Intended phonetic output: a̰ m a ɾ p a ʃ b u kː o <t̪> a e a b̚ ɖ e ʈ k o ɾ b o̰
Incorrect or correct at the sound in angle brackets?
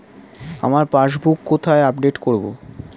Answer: incorrect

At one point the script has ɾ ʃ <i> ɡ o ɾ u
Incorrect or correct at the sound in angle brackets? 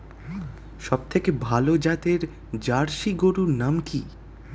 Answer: correct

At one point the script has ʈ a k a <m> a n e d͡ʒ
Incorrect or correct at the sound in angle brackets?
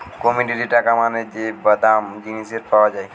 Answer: correct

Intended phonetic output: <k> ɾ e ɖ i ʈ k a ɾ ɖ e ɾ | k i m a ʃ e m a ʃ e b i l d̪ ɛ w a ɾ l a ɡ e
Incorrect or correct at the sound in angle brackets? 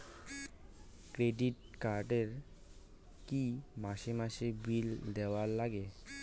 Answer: correct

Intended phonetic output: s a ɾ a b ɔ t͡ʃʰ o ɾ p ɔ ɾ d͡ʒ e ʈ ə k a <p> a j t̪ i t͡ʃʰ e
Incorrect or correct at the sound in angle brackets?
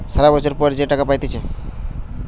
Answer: correct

